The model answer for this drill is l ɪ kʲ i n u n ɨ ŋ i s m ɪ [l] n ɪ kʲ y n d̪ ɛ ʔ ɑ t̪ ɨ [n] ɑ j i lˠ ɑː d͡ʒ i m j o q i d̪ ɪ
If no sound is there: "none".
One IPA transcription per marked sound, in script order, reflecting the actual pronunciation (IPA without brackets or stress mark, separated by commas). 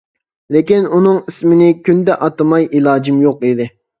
none, m